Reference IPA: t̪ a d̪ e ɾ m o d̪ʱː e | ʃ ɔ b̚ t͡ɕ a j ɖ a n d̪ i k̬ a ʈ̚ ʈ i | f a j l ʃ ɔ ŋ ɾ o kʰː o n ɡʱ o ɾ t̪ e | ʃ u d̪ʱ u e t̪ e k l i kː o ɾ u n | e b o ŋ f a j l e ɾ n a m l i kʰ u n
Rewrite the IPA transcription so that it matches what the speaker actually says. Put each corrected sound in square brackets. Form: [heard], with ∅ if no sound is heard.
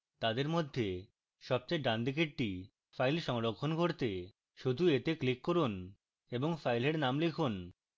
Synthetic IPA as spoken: t̪ a d̪ e ɾ m o d̪ʱː e | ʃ ɔ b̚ t͡ɕ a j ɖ a n d̪ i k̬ [e] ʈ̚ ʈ i | f a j l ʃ ɔ ŋ ɾ o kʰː o n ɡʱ o ɾ t̪ e | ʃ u d̪ʱ u e t̪ e k l i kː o ɾ u n | e b o ŋ f a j l e ɾ n a m l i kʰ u n